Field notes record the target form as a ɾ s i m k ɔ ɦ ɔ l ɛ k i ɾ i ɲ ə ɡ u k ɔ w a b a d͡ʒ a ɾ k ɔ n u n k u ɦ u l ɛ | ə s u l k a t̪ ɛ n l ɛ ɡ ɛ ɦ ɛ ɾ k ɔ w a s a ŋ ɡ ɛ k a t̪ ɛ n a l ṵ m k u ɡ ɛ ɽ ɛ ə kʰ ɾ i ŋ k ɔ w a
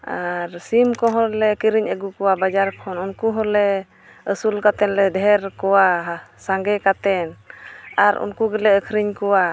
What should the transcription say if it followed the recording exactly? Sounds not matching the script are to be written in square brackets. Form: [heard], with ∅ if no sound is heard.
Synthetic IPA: a ɾ s i m k ɔ ɦ ɔ l ɛ k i ɾ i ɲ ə ɡ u k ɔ w a b a d͡ʒ a ɾ [kʰ] ɔ n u n k u ɦ [ɔ] l ɛ | ə s u l k a t̪ ɛ n l ɛ [d] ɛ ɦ ɛ ɾ k ɔ w a s a ŋ ɡ ɛ k a t̪ ɛ n a [ɾ] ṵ [n] k u ɡ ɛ [l] ɛ ə kʰ ɾ i [ɲ] k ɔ w a

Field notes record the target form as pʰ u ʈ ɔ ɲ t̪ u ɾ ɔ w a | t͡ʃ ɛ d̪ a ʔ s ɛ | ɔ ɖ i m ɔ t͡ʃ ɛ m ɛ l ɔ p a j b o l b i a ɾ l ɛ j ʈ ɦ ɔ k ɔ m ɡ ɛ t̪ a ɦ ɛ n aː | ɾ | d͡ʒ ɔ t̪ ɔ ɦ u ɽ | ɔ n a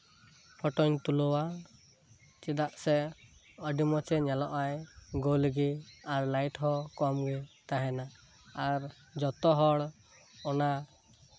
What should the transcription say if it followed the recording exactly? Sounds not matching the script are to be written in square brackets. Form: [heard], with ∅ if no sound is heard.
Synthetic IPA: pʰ [ɔ] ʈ ɔ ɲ t̪ u [l] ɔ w a | t͡ʃ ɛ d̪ a ʔ s ɛ | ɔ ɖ i m ɔ t͡ʃ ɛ [ɲ] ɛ l ɔ [ʔ] a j [ɡ] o l [ɡ] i a ɾ l [a] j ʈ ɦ ɔ k ɔ m ɡ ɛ t̪ a ɦ ɛ n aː | ɾ | d͡ʒ ɔ t̪ ɔ ɦ [ɔ] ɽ | ɔ n a

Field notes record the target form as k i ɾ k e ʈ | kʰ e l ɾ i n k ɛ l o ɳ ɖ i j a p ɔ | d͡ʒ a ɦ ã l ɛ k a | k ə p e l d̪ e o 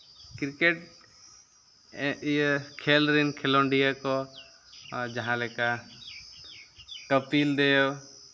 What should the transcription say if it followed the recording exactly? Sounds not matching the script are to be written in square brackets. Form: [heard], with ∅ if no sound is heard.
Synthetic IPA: k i ɾ k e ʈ | kʰ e l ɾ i n [kʰ] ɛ l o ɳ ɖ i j a [k] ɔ | d͡ʒ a ɦ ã l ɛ k a | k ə p [i] l d̪ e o

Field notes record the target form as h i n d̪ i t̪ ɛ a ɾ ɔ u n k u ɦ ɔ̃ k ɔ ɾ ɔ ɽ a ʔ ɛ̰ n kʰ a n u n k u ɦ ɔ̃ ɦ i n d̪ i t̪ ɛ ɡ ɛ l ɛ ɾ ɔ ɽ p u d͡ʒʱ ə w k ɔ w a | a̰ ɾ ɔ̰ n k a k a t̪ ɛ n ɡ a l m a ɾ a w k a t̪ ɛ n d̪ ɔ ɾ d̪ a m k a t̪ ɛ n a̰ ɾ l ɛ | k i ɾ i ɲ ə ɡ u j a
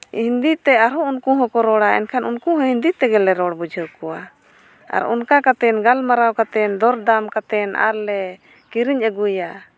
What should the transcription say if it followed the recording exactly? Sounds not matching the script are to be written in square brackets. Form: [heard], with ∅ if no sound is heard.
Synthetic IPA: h i n d̪ i t̪ ɛ a ɾ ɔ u n k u ɦ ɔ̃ k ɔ ɾ ɔ ɽ a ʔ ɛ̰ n kʰ a n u n k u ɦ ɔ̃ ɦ i n d̪ i t̪ ɛ ɡ ɛ l ɛ ɾ ɔ ɽ [b] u d͡ʒʱ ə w k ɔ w a | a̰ ɾ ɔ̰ n k a k a t̪ ɛ n ɡ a l m a ɾ a w k a t̪ ɛ n d̪ ɔ ɾ d̪ a m k a t̪ ɛ n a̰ ɾ l ɛ | k i ɾ i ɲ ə ɡ u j a

